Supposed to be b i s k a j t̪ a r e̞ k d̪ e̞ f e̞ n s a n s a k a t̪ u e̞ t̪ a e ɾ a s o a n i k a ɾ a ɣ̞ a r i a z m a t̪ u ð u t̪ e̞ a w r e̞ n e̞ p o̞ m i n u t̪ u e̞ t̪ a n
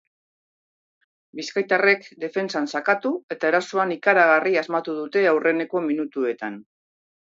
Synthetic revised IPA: b i s k a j t̪ a r e̞ k d̪ e̞ f e̞ n s a n s a k a t̪ u e̞ t̪ a e ɾ a s o a n i k a ɾ a ɣ̞ a r i a z m a t̪ u ð u t̪ e̞ a w r e̞ n e̞ k o̞ m i n u t̪ u e̞ t̪ a n